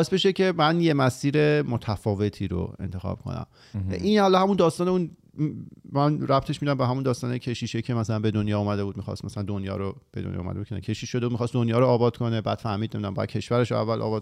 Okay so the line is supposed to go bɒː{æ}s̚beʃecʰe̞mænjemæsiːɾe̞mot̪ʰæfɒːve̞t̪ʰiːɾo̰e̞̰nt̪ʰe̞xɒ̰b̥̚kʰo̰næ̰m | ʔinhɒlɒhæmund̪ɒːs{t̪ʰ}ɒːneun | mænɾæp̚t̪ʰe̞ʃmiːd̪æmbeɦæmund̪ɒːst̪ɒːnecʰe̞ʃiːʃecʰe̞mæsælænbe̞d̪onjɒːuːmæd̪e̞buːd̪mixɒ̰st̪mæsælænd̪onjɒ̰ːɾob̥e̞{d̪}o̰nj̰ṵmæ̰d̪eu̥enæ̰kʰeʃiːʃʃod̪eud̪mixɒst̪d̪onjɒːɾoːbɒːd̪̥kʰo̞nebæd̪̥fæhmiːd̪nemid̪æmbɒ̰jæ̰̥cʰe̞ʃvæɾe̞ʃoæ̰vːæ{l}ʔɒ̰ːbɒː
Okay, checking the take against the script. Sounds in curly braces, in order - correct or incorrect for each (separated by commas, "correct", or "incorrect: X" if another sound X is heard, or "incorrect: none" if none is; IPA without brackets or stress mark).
incorrect: e, incorrect: t̪, correct, correct